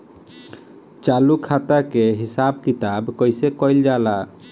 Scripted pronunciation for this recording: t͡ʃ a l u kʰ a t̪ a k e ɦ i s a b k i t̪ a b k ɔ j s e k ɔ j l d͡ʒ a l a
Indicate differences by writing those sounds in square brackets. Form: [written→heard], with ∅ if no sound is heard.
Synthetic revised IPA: t͡ʃ a l u kʰ a t̪ a k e ɦ i s a b k i t̪ a b k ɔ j s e k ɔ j l d͡ʒ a l a